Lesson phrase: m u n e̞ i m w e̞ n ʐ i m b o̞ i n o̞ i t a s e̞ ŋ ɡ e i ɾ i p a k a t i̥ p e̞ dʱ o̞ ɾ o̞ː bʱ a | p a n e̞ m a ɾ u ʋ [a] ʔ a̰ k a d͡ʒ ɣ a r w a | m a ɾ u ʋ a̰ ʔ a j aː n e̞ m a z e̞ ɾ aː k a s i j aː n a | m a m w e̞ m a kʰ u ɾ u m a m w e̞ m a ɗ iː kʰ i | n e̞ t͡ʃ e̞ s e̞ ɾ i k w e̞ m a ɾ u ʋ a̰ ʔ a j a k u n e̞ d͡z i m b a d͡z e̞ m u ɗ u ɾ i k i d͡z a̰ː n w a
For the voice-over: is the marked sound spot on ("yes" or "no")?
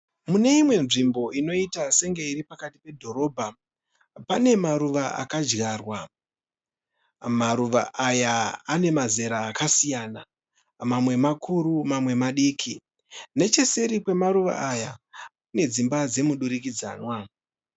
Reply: yes